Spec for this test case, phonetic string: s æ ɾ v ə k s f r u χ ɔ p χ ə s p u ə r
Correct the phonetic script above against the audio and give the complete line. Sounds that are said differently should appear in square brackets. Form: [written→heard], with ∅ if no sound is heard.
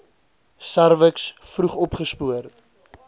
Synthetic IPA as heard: s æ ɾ v ə k s f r u χ ɔ p χ ə s p u ə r